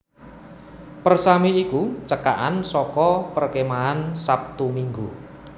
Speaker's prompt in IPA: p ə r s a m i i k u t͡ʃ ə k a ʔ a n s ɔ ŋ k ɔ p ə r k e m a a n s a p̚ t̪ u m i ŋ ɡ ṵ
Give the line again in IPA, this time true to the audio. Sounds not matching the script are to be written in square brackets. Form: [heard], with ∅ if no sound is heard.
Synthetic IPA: p ə r s a m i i k u t͡ʃ ə k a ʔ a n s ɔ [∅] k ɔ p ə r k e m a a n s a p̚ t̪ u m i ŋ ɡ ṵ